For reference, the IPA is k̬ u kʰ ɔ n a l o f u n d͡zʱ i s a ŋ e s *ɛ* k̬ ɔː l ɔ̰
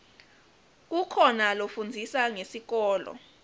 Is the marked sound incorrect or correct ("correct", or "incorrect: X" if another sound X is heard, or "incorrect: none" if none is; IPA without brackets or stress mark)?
incorrect: i